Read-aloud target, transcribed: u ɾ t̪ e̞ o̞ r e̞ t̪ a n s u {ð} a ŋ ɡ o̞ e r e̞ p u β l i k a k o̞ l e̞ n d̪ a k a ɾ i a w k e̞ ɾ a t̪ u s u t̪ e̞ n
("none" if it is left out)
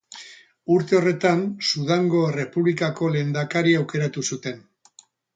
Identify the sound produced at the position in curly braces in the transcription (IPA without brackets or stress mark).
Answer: ð